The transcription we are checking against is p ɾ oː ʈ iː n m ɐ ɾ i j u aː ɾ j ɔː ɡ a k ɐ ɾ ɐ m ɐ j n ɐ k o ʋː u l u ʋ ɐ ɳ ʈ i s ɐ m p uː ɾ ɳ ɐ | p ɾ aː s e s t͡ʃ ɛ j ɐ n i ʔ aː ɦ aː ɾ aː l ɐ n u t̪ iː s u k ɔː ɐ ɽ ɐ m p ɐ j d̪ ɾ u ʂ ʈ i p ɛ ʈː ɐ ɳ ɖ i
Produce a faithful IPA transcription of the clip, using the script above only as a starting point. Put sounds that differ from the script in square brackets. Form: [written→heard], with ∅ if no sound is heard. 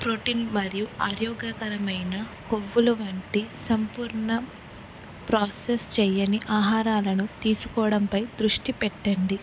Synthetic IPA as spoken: p ɾ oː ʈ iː n m ɐ ɾ i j u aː ɾ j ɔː ɡ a k ɐ ɾ ɐ m ɐ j n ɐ k o ʋː u l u ʋ ɐ ɳ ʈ i s ɐ m p uː ɾ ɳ ɐ | p ɾ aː s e s t͡ʃ ɛ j ɐ n i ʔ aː ɦ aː ɾ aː l ɐ n u t̪ iː s u k ɔː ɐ ɽ ɐ m p ɐ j d̪ ɾ u ʂ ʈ i p ɛ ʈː ɐ ɳ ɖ i

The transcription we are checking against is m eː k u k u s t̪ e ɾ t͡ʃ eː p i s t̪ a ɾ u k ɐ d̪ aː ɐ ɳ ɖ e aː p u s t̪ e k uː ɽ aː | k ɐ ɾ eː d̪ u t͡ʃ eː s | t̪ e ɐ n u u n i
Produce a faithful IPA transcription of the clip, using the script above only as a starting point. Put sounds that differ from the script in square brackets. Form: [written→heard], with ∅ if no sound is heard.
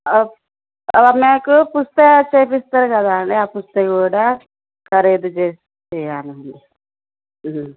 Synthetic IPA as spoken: m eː k u [k→p] u s t̪ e [ɾ→∅] t͡ʃ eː p i s t̪ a ɾ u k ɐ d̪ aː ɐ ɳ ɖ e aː p u s t̪ e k uː ɽ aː | k ɐ ɾ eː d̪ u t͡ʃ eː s | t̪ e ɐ n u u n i

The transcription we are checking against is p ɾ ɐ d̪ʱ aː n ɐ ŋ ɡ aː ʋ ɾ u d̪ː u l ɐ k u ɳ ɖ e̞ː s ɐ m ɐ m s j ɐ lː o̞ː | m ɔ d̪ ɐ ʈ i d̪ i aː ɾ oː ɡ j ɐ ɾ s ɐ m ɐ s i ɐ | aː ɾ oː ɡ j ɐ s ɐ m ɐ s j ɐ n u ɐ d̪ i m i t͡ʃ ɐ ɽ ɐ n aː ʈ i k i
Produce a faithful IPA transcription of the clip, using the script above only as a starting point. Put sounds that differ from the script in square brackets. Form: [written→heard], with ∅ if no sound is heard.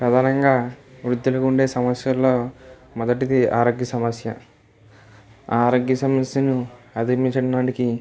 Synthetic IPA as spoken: p ɾ ɐ d̪ʱ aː n ɐ ŋ ɡ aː ʋ ɾ u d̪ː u l ɐ k u ɳ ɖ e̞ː s ɐ m ɐ [m→∅] s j ɐ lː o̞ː | m ɔ d̪ ɐ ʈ i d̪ i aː ɾ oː ɡ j ɐ [ɾ→∅] s ɐ m ɐ s [i→j] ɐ | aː ɾ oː ɡ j ɐ s ɐ m ɐ s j ɐ n u ɐ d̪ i m i t͡ʃ ɐ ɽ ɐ n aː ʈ i k i

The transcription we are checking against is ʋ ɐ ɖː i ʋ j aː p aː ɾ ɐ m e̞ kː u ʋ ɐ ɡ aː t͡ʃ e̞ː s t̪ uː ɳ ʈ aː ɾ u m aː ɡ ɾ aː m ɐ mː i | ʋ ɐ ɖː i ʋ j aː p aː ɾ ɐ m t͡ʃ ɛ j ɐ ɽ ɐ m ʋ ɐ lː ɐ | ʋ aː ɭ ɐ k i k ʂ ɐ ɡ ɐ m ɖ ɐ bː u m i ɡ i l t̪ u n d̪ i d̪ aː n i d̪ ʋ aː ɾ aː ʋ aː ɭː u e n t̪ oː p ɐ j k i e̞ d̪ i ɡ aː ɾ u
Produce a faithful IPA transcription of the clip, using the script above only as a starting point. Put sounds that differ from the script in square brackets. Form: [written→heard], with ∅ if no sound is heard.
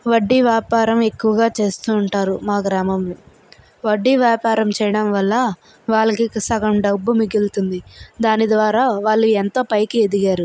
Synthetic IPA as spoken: ʋ ɐ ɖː i ʋ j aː p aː ɾ ɐ m e̞ kː u ʋ ɐ ɡ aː t͡ʃ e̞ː s t̪ uː ɳ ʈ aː ɾ u m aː ɡ ɾ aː m ɐ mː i | ʋ ɐ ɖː i ʋ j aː p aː ɾ ɐ m t͡ʃ ɛ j ɐ ɽ ɐ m ʋ ɐ lː ɐ | ʋ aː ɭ ɐ k i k [ʂ→s] ɐ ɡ ɐ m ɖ ɐ bː u m i ɡ i l t̪ u n d̪ i d̪ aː n i d̪ ʋ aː ɾ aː ʋ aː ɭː u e n t̪ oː p ɐ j k i e̞ d̪ i ɡ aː ɾ u

